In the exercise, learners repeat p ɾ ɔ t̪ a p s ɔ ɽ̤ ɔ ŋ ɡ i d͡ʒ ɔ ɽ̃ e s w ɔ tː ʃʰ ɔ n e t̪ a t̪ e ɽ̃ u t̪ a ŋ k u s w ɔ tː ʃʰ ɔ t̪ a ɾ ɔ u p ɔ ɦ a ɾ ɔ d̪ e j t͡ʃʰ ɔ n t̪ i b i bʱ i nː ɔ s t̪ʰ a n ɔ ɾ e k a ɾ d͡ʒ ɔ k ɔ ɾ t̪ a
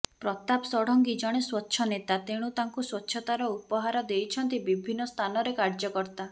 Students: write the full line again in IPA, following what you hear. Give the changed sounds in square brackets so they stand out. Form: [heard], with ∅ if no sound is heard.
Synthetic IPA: p ɾ ɔ t̪ a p s ɔ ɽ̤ ɔ ŋ ɡ i d͡ʒ ɔ ɽ̃ e s w ɔ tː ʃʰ ɔ n e t̪ a t̪ e ɽ̃ u t̪ a ŋ k u s w ɔ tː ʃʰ ɔ t̪ a ɾ ɔ u p ɔ ɦ a ɾ ɔ d̪ e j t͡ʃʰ ɔ n t̪ i b i bʱ i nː ɔ s t̪ʰ a n ɔ ɾ e k a ɾ d͡ʒ ɔ k ɔ ɾ t̪ a